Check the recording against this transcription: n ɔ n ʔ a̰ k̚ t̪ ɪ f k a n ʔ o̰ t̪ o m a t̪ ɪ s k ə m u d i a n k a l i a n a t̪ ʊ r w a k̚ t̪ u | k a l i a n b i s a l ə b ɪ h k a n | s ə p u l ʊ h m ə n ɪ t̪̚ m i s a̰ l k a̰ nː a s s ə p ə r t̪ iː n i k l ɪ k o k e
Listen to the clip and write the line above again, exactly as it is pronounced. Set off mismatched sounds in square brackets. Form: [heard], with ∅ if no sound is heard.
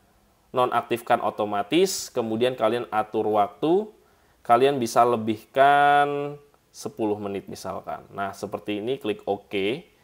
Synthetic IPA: n ɔ n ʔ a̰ k̚ t̪ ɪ f k a n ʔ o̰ t̪ o m a t̪ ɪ s k ə m u d i a n k a l i a n a t̪ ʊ r w a k̚ t̪ u | k a l i a n b i s a l ə b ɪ h k a n | s ə p u l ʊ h m ə n ɪ t̪̚ m i s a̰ l k a̰ nː a [h] s ə p ə r t̪ iː n i k l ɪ k o k e